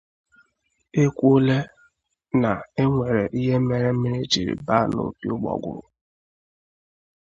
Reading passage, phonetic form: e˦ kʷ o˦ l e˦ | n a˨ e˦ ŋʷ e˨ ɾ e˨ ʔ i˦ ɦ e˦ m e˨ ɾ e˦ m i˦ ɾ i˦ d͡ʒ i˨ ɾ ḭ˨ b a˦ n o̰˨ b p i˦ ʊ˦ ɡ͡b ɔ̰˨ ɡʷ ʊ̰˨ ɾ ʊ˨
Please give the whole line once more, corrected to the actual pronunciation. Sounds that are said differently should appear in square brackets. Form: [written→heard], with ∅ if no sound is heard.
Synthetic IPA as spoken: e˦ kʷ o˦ l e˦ | n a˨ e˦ ŋʷ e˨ ɾ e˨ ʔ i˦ ɦ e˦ m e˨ ɾ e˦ m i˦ ɾ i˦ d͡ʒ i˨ ɾ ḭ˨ b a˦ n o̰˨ [b→∅] p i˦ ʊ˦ ɡ͡b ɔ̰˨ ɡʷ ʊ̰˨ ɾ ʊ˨

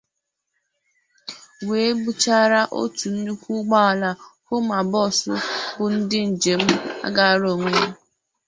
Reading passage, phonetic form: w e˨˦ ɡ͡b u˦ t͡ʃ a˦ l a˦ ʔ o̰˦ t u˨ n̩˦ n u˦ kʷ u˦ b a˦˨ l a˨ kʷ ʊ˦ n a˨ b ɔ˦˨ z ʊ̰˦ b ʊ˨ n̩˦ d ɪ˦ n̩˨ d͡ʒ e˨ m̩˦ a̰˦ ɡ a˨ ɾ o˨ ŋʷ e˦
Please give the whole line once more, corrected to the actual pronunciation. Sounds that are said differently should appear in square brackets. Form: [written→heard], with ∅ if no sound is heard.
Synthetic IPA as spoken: w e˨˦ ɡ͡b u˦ t͡ʃ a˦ [l→ɾ] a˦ ʔ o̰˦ t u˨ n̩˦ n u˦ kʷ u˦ [b→ɡ͡b] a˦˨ l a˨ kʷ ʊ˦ [n→m] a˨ b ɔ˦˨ [z→s] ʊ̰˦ b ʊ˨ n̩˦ d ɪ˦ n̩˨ d͡ʒ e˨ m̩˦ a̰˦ ɡ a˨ ɾ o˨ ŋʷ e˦

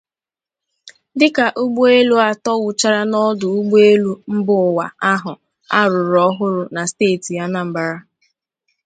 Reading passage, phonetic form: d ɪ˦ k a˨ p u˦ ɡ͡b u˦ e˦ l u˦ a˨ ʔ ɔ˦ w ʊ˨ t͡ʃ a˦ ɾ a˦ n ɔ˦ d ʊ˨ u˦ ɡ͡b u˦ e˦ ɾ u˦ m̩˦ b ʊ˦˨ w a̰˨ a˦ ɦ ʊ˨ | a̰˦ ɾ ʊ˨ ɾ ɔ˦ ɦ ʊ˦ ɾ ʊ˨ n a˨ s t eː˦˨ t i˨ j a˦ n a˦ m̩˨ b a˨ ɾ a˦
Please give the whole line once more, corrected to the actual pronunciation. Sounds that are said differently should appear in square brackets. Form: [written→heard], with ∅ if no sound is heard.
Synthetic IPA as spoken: d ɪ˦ k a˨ [p→ʔ] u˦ ɡ͡b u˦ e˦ l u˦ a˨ [ʔ→t] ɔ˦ w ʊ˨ t͡ʃ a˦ ɾ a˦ n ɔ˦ d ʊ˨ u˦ ɡ͡b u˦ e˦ [ɾ→l] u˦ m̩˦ b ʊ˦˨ w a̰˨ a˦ ɦ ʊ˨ | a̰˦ ɾ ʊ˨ ɾ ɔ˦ ɦ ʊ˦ ɾ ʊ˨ n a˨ s t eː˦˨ t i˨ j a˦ n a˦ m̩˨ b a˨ ɾ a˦

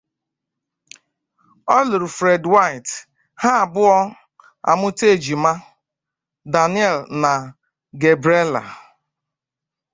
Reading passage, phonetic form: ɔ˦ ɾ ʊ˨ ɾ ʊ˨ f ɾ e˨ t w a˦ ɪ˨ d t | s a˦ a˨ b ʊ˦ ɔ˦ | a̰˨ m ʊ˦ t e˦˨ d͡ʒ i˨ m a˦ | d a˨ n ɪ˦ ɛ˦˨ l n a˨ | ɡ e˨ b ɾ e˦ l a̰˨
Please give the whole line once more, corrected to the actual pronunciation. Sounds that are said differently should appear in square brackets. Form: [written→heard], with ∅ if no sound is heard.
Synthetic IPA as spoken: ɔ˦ [ɾ→l] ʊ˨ ɾ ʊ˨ f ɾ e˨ [t→d] w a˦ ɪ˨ [d→∅] t | [s→h] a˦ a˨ b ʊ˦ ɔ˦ | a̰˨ m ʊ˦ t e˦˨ d͡ʒ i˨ m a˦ | d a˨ n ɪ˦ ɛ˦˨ l n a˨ | ɡ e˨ b ɾ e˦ l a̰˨

